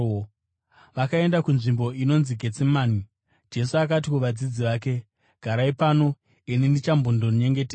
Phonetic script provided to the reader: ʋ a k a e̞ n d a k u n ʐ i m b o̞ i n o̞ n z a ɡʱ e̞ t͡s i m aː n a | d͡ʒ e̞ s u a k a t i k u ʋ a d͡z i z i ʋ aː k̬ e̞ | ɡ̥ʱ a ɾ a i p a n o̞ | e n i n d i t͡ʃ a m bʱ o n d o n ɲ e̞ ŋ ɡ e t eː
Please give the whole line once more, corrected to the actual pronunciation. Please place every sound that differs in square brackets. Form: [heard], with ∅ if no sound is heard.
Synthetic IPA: ʋ a k a e̞ n d a k u n ʐ i m b o̞ i n o̞ n z [i] ɡʱ e̞ t͡s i m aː n [i] | d͡ʒ e̞ s u a k a t i k u ʋ a d͡z i [d͡z] i ʋ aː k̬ e̞ | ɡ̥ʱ a ɾ a i p a n o̞ | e n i n d i t͡ʃ a m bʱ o n d o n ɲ e̞ ŋ ɡ e t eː